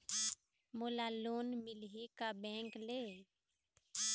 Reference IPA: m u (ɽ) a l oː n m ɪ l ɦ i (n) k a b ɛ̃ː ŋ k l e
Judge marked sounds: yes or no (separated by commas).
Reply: no, no